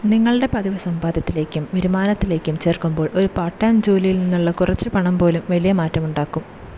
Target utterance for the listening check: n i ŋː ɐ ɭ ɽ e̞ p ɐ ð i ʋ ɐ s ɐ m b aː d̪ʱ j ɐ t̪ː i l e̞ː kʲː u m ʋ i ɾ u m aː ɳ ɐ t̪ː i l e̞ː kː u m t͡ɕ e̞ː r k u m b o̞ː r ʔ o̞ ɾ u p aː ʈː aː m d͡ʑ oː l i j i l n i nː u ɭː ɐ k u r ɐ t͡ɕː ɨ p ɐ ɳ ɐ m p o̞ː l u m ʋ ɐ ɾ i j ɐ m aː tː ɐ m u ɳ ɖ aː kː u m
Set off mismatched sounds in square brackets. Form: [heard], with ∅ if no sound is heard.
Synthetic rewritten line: n i ŋː ɐ ɭ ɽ e̞ p ɐ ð i ʋ ɐ s ɐ m b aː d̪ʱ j ɐ t̪ː i l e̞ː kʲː u m ʋ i ɾ u m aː [n] ɐ t̪ː i l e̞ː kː u m t͡ɕ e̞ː r k u m b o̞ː [ɭ] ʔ o̞ ɾ u p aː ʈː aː m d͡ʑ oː l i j i l n i nː u ɭː ɐ k u r ɐ t͡ɕː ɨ p ɐ ɳ ɐ m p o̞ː l u m ʋ ɐ [l] i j ɐ m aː tː ɐ m u ɳ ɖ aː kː u m